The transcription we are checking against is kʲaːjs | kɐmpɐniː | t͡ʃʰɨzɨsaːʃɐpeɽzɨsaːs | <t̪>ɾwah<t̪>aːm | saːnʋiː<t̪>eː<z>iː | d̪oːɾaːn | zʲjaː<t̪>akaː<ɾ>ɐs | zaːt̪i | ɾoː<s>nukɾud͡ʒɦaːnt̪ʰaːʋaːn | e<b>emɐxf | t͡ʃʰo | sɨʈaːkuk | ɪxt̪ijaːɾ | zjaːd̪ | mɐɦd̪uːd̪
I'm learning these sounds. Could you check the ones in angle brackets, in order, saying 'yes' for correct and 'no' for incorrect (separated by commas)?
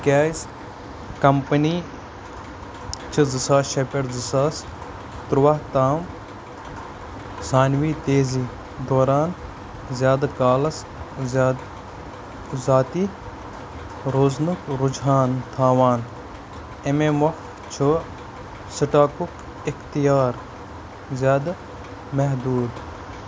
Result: yes, yes, yes, yes, no, no, no, no